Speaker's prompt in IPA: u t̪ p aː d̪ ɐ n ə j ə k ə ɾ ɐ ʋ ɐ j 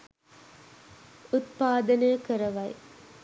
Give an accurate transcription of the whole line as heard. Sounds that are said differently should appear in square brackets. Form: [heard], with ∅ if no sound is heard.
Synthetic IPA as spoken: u t̪ p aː d̪ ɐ n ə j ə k ə ɾ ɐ ʋ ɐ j